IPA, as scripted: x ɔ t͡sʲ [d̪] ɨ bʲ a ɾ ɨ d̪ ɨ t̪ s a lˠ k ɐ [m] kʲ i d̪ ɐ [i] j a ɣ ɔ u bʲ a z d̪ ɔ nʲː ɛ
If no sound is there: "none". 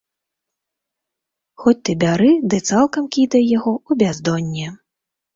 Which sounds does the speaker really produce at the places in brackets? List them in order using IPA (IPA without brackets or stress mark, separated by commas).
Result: t̪, m, j